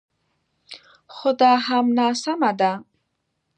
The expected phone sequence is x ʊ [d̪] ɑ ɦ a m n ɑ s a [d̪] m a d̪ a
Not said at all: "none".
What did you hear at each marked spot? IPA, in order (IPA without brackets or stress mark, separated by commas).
d̪, none